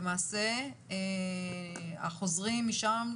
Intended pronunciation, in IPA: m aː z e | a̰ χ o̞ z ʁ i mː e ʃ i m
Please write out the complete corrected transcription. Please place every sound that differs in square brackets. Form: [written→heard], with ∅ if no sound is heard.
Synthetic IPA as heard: m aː [z→s] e | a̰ χ o̞ z ʁ i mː [e→i] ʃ [i→a] m